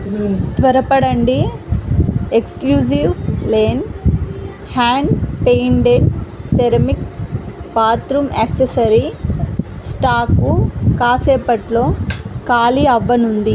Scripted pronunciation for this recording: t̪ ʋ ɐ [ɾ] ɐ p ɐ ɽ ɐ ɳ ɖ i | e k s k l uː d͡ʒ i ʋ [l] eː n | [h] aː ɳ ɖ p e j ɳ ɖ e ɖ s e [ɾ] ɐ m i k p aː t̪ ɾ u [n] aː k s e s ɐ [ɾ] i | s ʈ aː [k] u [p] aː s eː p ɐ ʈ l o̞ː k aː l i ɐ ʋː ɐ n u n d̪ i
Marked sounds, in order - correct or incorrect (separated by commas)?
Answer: correct, correct, correct, correct, incorrect, correct, correct, incorrect